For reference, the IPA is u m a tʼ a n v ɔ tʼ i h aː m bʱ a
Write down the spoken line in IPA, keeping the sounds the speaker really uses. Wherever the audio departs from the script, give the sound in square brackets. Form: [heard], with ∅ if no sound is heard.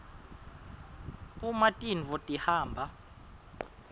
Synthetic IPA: u m a tʼ [i] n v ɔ tʼ i h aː m bʱ a